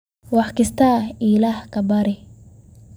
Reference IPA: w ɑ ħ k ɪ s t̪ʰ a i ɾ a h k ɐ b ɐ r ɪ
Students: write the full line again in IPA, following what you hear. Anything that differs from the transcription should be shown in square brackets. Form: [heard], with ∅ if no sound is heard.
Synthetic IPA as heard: w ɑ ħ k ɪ s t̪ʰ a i [l] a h k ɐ b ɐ [ɾ] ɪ